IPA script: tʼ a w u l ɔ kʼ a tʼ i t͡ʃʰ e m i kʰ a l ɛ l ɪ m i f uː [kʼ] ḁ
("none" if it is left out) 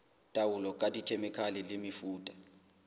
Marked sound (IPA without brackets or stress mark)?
tʼ